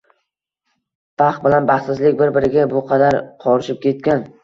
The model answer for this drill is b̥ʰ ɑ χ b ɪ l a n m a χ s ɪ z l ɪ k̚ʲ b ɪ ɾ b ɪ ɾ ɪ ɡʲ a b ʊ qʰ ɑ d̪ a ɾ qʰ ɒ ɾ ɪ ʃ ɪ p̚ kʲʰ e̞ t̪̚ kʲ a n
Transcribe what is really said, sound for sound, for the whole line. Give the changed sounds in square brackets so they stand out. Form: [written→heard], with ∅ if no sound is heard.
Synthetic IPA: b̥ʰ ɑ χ b ɪ l a n [m→b] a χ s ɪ z l ɪ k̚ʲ b ɪ ɾ b ɪ ɾ ɪ ɡʲ a b ʊ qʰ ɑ d̪ a ɾ qʰ ɒ ɾ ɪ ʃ ɪ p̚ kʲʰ e̞ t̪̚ kʲ a n